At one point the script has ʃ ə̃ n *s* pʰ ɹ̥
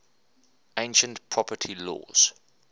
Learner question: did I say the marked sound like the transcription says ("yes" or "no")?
no